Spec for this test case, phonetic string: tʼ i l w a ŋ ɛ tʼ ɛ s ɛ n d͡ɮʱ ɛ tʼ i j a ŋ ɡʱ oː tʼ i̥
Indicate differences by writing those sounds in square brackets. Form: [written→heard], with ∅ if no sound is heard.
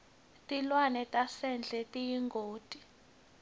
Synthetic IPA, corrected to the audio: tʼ i l w a [ŋ→n] ɛ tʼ [ɛ→a] s ɛ n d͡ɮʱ ɛ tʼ i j [a→i] ŋ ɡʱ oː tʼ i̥